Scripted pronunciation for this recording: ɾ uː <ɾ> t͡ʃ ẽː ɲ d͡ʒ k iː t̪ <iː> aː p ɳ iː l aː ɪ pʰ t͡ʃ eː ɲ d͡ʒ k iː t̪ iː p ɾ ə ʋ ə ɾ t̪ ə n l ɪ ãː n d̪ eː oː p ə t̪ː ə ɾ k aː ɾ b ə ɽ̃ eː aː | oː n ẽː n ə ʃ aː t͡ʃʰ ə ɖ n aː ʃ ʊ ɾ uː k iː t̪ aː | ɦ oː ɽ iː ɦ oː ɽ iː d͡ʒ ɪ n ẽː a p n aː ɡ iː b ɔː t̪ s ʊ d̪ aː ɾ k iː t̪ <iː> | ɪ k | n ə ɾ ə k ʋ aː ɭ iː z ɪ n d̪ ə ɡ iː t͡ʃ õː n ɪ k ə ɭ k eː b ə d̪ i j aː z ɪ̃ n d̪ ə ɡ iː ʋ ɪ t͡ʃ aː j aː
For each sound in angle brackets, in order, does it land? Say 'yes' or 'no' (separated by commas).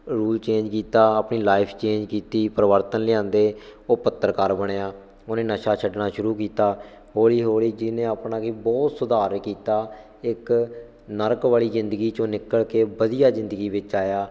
no, no, no